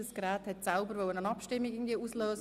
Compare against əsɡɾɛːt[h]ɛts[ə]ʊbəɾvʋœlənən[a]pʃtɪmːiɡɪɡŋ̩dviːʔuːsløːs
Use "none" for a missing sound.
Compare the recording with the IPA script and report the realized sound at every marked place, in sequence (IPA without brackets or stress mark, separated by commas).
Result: h, a, ɑ